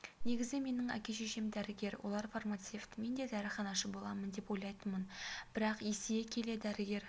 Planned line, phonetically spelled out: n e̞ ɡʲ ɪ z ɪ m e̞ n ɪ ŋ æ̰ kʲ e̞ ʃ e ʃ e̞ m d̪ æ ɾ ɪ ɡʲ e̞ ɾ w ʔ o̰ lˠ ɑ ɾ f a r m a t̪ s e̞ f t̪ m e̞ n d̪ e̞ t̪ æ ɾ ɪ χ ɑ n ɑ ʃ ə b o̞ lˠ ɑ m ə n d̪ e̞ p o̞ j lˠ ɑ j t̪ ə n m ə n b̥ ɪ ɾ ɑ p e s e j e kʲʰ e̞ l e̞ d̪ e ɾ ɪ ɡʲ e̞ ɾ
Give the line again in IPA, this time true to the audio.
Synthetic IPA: n e̞ ɡʲ ɪ z ɪ m e̞ n ɪ ŋ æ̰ kʲ e̞ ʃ e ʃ e̞ m d̪ æ ɾ ɪ ɡʲ e̞ ɾ w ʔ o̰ lˠ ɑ ɾ f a r m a t̪ s e̞ f t̪ m e̞ n d̪ e̞ d̪ æ ɾ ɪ χ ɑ n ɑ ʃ ə b o̞ lˠ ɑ m ə n d̪ e̞ p o̞ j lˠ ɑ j t̪ ə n m ə n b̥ ɪ ɾ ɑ q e s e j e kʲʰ e̞ l e̞ d̪ æ ɾ ɪ ɡʲ e̞ ɾ